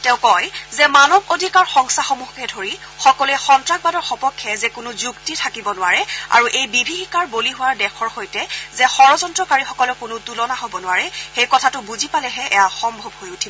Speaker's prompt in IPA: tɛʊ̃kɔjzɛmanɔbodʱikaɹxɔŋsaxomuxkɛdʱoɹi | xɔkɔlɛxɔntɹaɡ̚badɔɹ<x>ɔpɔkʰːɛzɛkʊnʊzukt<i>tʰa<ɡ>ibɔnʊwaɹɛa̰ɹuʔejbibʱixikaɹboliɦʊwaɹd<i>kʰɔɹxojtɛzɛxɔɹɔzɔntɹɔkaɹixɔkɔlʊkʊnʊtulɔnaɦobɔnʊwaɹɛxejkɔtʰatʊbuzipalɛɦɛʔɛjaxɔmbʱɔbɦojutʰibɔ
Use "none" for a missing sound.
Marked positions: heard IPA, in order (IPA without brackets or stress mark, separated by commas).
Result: x, i, k, ɛ